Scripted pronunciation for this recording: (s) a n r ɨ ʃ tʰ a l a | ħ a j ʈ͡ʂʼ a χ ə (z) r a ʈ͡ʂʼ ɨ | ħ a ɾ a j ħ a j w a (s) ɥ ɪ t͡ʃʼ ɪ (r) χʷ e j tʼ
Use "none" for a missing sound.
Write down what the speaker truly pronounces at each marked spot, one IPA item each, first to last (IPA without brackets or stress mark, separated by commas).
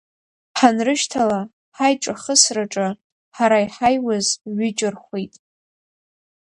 ħ, s, z, r